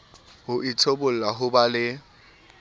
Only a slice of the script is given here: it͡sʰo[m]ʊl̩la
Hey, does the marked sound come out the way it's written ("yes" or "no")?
no